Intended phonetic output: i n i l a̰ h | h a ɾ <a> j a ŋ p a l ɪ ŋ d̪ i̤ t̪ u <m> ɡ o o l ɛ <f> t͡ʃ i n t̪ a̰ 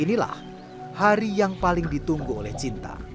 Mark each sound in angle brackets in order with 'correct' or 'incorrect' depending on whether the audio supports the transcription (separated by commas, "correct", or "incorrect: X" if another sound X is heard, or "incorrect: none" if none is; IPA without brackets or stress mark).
incorrect: i, incorrect: ŋ, incorrect: h